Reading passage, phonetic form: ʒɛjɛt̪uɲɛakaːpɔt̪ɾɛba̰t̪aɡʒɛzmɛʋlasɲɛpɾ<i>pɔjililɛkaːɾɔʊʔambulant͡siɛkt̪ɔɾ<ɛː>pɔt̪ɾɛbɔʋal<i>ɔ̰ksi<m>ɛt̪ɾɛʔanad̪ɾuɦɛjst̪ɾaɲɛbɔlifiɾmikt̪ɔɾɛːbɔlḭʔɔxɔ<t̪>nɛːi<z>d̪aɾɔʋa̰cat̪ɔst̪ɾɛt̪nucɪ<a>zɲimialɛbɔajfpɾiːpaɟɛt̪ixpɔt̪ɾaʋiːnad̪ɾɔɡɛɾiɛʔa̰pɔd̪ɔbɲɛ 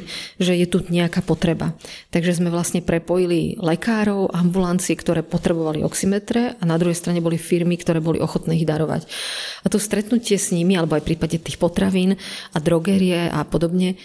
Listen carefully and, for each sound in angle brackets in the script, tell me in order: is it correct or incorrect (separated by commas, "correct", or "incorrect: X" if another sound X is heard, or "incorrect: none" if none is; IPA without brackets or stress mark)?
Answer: incorrect: ɛ, correct, correct, correct, correct, incorrect: ɣ, incorrect: ɛ